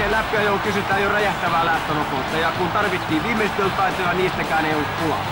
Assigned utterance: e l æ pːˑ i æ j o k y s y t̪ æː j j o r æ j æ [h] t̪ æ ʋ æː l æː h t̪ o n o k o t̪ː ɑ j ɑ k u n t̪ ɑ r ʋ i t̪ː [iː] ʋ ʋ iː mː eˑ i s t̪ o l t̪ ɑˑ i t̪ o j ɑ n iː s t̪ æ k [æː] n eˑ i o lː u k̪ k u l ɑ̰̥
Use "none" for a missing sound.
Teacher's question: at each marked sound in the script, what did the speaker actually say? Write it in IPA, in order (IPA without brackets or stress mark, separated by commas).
h, iː, æː